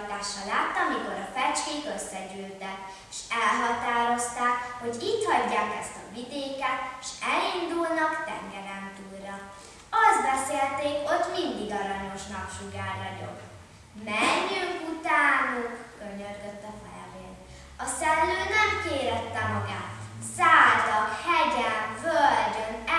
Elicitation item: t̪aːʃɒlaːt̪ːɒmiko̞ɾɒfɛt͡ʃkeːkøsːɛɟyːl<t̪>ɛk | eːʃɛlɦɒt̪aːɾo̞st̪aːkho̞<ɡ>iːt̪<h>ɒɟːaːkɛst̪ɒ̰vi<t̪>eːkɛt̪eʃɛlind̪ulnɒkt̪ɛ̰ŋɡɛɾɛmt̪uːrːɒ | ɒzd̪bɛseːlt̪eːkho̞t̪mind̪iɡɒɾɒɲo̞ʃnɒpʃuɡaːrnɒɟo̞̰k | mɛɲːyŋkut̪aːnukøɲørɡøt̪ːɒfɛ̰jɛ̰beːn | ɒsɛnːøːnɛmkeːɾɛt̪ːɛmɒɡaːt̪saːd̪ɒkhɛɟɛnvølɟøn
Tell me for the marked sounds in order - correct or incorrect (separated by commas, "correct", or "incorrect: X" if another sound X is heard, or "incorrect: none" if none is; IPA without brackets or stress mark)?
correct, incorrect: ɟ, correct, incorrect: d̪